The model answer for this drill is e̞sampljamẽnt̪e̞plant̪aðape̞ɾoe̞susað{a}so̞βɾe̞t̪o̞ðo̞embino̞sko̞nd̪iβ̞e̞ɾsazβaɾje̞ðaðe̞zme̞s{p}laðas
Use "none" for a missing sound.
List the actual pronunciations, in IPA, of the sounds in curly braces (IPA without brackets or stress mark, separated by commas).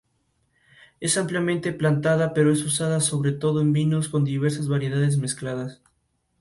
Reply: a, k